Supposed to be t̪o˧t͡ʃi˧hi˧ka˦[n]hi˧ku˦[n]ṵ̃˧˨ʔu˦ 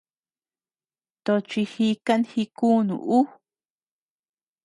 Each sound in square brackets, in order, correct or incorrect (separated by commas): correct, correct